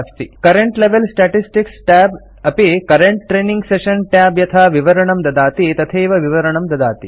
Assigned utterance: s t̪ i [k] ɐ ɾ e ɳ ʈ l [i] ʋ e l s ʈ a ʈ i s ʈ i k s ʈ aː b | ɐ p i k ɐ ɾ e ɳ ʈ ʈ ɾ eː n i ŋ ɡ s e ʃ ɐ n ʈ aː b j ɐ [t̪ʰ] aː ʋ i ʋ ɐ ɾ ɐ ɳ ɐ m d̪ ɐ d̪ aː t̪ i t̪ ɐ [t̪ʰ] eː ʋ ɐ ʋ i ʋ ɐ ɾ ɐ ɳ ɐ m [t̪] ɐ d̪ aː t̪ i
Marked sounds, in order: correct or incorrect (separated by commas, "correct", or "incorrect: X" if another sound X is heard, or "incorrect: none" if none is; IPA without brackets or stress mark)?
correct, incorrect: e, correct, correct, incorrect: d̪